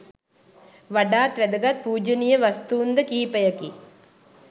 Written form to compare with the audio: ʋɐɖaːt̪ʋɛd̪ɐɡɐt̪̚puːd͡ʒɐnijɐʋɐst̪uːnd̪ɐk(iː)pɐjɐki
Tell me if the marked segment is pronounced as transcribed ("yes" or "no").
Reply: yes